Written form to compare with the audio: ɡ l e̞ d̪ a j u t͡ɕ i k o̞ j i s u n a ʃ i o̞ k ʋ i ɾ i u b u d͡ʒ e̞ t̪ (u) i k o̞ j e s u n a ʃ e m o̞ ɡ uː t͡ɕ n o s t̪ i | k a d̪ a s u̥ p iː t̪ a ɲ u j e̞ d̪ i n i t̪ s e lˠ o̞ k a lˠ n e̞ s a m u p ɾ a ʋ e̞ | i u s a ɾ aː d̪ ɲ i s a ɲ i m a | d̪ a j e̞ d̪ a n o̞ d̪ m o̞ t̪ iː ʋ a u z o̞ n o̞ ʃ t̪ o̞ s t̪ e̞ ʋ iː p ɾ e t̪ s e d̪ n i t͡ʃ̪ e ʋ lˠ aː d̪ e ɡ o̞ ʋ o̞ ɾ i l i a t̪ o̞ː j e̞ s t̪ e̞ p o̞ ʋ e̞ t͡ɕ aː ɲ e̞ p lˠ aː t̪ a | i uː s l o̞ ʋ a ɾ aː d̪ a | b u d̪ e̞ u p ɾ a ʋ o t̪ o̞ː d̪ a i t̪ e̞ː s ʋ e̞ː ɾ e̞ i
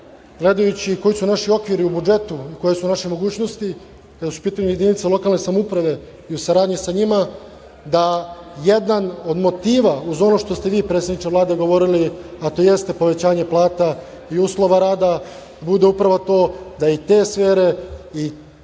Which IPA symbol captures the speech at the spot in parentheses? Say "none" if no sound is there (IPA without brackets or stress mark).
u